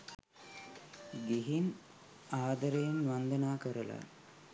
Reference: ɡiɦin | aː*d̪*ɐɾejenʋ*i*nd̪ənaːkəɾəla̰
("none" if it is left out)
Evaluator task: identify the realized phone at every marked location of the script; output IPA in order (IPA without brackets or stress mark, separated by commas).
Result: d̪, a